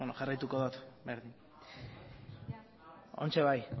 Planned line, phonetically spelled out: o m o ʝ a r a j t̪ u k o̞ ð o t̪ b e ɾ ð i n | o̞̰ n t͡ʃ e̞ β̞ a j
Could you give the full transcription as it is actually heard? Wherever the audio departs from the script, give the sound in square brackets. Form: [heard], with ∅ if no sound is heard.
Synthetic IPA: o [n] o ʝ a r a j t̪ u k o̞ ð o t̪ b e ɾ ð i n | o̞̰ n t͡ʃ e̞ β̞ a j